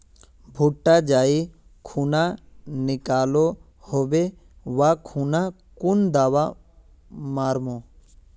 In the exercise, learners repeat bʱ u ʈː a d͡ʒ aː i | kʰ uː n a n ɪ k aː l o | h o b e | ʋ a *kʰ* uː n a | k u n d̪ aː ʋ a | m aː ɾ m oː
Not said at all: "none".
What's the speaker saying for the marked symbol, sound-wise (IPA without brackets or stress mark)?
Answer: kʰ